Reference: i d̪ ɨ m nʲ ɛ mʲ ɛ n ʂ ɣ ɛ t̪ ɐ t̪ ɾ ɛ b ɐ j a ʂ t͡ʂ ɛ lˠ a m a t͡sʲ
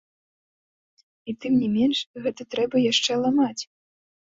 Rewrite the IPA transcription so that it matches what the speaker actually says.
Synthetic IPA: i t̪ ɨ m nʲ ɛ mʲ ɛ n ʂ ɣ ɛ t̪ ɐ t̪ ɾ ɛ b ɐ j a ʂ t͡ʂ ɛ lˠ a m a t͡sʲ